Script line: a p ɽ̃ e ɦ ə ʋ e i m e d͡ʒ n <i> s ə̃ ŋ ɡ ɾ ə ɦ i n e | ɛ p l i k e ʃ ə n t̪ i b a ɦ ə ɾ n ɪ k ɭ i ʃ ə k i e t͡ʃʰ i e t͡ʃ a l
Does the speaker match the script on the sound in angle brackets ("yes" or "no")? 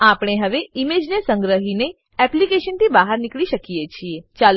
no